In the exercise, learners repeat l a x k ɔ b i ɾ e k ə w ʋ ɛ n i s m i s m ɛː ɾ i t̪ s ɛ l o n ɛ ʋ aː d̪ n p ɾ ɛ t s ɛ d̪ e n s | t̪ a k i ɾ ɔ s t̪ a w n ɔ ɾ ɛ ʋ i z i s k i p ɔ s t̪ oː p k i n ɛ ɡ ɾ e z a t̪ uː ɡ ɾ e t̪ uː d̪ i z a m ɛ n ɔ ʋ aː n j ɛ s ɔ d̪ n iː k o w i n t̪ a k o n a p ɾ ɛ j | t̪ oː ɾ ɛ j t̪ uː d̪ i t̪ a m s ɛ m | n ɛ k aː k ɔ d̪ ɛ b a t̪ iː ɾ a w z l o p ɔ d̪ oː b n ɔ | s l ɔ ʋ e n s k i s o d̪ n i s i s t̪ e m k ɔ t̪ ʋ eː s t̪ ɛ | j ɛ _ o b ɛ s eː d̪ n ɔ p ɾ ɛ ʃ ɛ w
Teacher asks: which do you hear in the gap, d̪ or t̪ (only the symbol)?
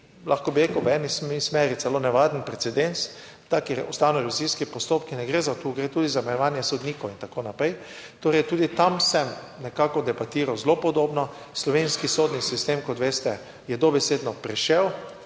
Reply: d̪